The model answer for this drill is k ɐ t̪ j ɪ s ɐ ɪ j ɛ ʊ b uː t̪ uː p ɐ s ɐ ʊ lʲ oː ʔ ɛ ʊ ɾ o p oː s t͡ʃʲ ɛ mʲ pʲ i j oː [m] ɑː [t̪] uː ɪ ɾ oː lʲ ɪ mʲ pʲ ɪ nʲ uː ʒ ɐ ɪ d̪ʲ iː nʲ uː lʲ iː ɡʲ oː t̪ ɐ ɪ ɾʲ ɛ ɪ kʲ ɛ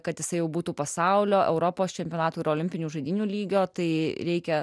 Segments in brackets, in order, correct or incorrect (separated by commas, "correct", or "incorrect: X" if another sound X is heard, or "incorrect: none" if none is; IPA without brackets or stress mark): incorrect: n, correct